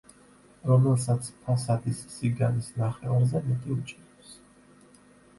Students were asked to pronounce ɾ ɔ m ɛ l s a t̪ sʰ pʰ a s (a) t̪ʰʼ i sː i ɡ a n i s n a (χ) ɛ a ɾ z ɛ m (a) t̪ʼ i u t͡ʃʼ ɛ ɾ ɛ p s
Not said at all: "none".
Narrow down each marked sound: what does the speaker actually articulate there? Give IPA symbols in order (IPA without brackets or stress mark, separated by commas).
a, χ, ɛ